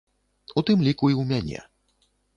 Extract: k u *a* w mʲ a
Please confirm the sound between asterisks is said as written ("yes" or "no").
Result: no